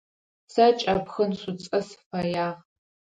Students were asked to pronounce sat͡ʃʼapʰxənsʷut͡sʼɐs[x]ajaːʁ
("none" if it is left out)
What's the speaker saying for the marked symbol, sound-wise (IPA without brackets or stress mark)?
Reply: f